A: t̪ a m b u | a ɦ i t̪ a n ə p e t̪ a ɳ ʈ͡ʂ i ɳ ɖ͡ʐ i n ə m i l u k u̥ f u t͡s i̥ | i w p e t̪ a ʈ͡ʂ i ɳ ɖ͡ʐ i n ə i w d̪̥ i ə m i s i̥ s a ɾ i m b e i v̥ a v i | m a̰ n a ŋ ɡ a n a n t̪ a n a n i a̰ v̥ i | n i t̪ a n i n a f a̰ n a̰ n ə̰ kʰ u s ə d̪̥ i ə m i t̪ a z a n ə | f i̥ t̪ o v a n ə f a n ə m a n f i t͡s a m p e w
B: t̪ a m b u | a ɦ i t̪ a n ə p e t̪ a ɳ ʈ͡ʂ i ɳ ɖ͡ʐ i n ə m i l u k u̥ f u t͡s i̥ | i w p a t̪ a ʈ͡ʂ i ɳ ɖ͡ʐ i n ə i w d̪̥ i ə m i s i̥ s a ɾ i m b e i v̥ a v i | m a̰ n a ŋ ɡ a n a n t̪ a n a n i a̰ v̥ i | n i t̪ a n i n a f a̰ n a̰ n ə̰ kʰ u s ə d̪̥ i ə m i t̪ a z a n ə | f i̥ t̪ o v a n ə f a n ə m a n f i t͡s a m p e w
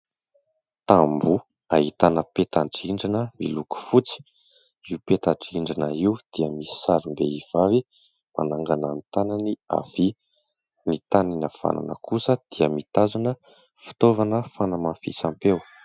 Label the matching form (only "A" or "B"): A